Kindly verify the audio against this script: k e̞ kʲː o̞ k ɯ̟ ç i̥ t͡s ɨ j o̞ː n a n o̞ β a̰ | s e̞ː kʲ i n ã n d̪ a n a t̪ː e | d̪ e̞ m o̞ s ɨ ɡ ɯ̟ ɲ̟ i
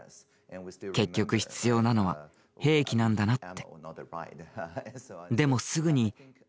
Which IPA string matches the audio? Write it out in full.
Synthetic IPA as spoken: k e̞ kʲː o̞ k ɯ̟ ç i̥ t͡s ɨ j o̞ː n a n o̞ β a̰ | h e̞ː kʲ i n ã n d̪ a n a t̪ː e | d̪ e̞ m o̞ s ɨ ɡ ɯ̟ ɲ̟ i